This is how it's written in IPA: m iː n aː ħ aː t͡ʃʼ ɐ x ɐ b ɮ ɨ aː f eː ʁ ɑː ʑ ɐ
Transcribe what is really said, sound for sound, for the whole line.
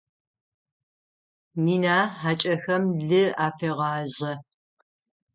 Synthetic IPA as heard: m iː n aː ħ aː t͡ʃʼ ɐ x ɐ m ɮ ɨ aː f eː ʁ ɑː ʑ ɐ